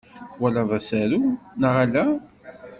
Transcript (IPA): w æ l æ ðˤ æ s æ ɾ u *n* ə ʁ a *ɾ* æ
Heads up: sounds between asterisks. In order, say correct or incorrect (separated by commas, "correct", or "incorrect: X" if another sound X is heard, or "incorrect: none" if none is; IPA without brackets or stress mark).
correct, incorrect: l